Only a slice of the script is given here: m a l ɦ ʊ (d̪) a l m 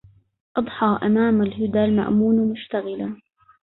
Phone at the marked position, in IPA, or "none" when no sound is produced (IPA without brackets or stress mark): d̪